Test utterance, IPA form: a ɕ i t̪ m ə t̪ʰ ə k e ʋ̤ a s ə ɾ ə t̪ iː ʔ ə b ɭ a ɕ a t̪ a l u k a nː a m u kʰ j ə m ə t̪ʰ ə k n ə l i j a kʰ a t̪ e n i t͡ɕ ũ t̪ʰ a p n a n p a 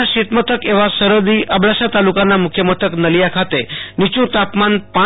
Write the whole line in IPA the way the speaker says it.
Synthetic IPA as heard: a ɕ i t̪ m ə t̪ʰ ə k e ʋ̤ a s ə ɾ ə d̪ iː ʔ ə b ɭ a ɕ a t̪ a l u k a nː a m u kʰ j ə m ə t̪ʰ ə k n ə l i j a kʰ a t̪ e n i t͡ɕ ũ t̪ a p m a n p a